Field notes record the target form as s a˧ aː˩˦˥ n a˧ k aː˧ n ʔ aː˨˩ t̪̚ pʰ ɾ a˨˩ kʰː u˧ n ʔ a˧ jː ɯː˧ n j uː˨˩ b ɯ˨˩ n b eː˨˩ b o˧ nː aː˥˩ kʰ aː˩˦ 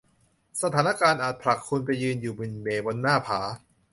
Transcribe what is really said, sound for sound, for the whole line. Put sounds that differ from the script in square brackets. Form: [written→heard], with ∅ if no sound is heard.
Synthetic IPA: s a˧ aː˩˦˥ n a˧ k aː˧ n ʔ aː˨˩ t̪̚ pʰ ɾ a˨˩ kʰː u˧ n [ʔ→p] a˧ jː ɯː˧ n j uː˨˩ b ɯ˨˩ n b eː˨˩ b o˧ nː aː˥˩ [kʰ→pʰ] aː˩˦